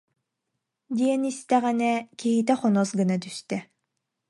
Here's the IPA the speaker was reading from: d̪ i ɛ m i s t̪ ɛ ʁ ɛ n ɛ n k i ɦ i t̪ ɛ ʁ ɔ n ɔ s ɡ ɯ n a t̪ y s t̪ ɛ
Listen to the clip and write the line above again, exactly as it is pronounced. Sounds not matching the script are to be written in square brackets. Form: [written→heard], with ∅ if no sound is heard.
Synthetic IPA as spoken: d̪ i ɛ [m→n] i s t̪ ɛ ʁ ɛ n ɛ [n→∅] k i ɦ i t̪ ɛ [ʁ→χ] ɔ n ɔ s ɡ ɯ n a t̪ y s t̪ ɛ